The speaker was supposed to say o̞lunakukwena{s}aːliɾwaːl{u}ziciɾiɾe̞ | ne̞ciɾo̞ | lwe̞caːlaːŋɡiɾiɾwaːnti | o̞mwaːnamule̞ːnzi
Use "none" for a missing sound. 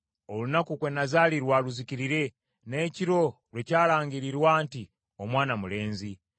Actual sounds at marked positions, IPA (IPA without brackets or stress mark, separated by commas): z, u